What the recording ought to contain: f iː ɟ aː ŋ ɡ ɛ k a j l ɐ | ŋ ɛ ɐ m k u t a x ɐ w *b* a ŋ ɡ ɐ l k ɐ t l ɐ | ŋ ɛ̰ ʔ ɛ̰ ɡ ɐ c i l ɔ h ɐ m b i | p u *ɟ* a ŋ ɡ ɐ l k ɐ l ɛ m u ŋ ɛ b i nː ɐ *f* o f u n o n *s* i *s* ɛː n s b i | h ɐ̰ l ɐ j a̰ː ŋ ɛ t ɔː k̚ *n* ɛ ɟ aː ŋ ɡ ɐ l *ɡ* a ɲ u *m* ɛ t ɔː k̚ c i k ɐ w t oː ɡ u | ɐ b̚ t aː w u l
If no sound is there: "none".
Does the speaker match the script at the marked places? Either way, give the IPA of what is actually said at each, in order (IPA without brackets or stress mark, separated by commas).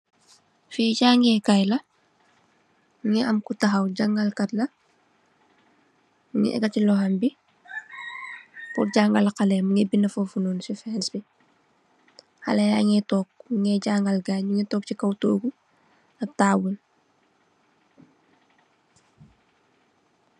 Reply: ɟ, ɟ, f, s, f, ŋ, ɡ, ŋ